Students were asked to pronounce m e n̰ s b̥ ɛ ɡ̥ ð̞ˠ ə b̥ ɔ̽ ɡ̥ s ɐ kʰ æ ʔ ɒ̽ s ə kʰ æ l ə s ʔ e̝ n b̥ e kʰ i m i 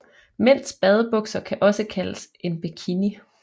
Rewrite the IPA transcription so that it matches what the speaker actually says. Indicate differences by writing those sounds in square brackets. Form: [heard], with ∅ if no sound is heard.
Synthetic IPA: m e n̰ s b̥ ɛ [∅] ð̞ˠ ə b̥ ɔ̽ ɡ̥ s ɐ kʰ æ ʔ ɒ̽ s ə kʰ æ l ə s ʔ e̝ n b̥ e kʰ i [n] i